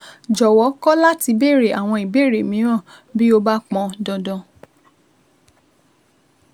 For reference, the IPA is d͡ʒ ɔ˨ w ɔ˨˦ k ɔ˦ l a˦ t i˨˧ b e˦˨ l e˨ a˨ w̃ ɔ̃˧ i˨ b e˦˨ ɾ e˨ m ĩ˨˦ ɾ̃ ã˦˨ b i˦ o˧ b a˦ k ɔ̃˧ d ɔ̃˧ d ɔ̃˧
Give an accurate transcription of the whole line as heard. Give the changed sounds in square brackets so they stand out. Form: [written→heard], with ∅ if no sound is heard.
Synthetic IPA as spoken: d͡ʒ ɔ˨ w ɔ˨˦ k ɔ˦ l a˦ t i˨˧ b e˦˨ [l→ɾ] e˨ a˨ w̃ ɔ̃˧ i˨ b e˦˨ ɾ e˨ m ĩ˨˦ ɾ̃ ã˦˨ b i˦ o˧ b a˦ [k→k͡p] ɔ̃˧ d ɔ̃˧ d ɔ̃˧